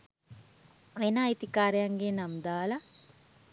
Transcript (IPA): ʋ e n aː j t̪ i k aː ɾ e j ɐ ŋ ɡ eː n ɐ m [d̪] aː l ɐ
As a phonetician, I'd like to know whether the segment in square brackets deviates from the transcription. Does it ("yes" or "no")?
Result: no